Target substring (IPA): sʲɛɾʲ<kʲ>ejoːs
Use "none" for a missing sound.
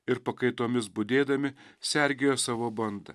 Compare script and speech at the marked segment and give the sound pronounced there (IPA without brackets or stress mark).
ɡʲ